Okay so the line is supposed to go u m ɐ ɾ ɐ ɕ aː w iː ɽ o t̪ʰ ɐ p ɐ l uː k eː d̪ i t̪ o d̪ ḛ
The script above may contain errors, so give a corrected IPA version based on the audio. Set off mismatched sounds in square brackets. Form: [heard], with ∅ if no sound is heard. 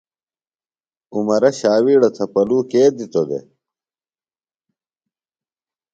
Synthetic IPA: u m ɐ ɾ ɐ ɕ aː w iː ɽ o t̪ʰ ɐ p ɐ l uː k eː d̪ i t̪ o d̪ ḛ